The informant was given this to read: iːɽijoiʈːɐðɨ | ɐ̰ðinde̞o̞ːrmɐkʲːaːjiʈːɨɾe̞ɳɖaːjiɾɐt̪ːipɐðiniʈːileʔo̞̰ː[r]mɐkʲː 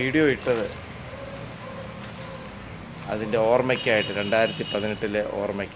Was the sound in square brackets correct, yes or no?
yes